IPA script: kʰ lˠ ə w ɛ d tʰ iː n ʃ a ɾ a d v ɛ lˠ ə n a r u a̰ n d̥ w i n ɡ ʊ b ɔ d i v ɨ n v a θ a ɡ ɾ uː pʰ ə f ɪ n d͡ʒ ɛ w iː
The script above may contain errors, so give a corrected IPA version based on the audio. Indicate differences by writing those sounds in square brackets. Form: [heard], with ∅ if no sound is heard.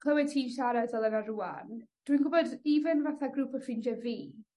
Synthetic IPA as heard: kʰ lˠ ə w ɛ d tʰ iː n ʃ a ɾ a d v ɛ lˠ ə n a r u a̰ n d̥ w i n ɡ ʊ b ɔ d i v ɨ n v a θ a ɡ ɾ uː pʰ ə f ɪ n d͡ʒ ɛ [v] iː